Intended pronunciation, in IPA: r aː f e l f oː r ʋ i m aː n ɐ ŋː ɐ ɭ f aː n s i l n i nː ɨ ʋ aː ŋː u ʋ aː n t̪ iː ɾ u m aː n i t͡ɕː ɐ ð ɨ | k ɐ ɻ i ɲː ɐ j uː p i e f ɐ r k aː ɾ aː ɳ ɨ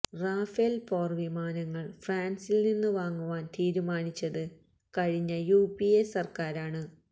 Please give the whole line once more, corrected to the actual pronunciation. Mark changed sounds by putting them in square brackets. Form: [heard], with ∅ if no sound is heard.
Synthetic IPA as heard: r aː f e l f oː r ʋ i m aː n ɐ ŋː ɐ ɭ f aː n s i l n i nː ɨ ʋ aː ŋː u ʋ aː n t̪ iː ɾ u m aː n i t͡ɕː ɐ ð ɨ | k ɐ ɻ i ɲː ɐ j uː p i e [s] ɐ r k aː ɾ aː ɳ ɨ

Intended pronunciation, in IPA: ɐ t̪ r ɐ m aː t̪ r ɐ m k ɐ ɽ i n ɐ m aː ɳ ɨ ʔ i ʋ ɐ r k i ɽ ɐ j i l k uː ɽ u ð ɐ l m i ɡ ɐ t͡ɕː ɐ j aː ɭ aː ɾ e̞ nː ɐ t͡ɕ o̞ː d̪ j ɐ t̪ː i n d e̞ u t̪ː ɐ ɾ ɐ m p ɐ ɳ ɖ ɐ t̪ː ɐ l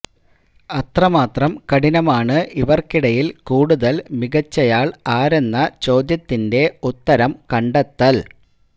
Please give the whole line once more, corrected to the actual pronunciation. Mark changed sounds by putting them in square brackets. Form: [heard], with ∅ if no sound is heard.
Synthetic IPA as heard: ɐ t̪ r ɐ m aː t̪ r ɐ m k ɐ ɽ i n ɐ m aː ɳ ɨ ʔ i ʋ ɐ r k i ɽ ɐ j i l k uː ɽ u ð ɐ l m i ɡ ɐ t͡ɕː ɐ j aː ɭ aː ɾ e̞ nː ɐ t͡ɕ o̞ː d̪ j ɐ t̪ː i n d e̞ u t̪ː ɐ ɾ ɐ m [k] ɐ ɳ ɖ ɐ t̪ː ɐ l

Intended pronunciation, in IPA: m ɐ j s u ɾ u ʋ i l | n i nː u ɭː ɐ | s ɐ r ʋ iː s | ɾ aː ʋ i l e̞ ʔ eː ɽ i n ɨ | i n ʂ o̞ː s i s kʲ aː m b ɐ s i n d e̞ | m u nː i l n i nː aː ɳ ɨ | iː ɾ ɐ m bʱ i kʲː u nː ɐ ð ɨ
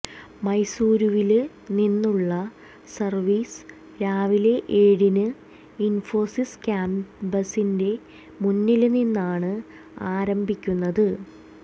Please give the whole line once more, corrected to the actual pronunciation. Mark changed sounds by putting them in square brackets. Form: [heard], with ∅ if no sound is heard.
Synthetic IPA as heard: m ɐ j s [uː] ɾ u ʋ i l | n i nː u ɭː ɐ | s ɐ r ʋ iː s | ɾ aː ʋ i l e̞ ʔ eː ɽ i n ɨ | i n [f] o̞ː s i s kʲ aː m b ɐ s i n d e̞ | m u nː i l n i nː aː ɳ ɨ | [aː] ɾ ɐ m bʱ i kʲː u nː ɐ ð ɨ

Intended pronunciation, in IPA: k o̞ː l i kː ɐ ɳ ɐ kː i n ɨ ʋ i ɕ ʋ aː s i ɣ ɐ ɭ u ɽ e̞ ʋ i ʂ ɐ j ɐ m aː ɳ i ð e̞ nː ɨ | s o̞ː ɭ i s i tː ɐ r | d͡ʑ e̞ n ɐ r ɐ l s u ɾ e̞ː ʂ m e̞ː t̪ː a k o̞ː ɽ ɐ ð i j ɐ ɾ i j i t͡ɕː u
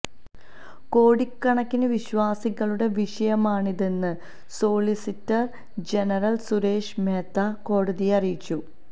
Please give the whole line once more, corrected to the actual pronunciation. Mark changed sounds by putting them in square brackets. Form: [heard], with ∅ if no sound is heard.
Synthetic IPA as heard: k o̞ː [ɽ] i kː ɐ ɳ ɐ kː i n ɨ ʋ i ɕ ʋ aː s i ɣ ɐ ɭ u ɽ e̞ ʋ i ʂ ɐ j ɐ m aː ɳ i ð e̞ nː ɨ | s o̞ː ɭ i s i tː ɐ r | d͡ʑ e̞ n ɐ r ɐ l s u ɾ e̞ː ʂ m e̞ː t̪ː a k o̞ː ɽ ɐ ð i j ɐ [r] i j i t͡ɕː u

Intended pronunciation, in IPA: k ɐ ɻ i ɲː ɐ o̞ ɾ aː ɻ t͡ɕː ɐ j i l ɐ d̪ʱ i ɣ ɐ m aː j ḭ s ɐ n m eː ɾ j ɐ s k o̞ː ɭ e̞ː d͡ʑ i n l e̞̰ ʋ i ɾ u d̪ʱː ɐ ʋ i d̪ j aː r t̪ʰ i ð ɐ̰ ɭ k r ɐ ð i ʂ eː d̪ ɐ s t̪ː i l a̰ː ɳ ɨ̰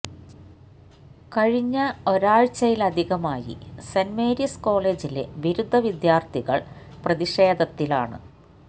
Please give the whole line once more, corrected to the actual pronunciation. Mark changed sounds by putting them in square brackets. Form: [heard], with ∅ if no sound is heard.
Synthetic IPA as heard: k ɐ ɻ i ɲː ɐ o̞ ɾ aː ɻ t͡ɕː ɐ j i l ɐ d̪ʱ i ɣ ɐ m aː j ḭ s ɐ n m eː ɾ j ɐ s k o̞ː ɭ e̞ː d͡ʑ i [∅] l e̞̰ ʋ i ɾ u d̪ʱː ɐ ʋ i d̪ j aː r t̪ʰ i [ɣ] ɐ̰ ɭ [p] r ɐ ð i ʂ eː d̪ ɐ [∅] t̪ː i l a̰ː ɳ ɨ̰

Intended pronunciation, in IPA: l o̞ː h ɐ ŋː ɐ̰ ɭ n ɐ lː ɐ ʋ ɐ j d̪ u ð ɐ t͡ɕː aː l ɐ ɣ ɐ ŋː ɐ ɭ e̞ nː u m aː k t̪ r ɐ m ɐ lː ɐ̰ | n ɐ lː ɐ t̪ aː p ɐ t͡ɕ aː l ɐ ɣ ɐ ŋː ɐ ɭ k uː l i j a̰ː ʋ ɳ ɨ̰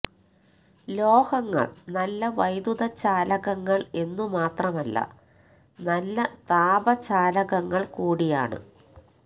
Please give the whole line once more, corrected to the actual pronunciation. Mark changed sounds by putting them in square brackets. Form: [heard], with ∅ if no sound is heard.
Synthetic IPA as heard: l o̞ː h ɐ ŋː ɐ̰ ɭ n ɐ lː ɐ ʋ ɐ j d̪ u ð ɐ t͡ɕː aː l ɐ ɣ ɐ ŋː ɐ ɭ e̞ nː u m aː [∅] t̪ r ɐ m ɐ lː ɐ̰ | n ɐ lː ɐ t̪ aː [b] ɐ t͡ɕ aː l ɐ ɣ ɐ ŋː ɐ ɭ k uː [ɽ] i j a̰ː [∅] ɳ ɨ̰

